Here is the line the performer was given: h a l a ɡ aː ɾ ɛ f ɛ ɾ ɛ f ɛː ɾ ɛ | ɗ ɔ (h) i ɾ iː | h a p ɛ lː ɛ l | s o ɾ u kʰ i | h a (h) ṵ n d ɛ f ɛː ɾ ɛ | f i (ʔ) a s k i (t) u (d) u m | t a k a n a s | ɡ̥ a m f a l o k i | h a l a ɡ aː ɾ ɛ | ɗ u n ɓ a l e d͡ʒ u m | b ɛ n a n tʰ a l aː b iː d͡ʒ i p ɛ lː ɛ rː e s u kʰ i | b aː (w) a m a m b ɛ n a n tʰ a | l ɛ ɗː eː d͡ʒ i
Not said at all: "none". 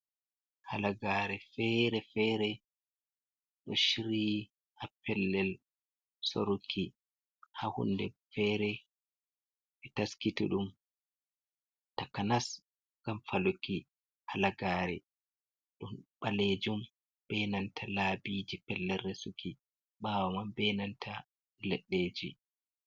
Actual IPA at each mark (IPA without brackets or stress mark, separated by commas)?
ʃ, h, t, t, ɗ, w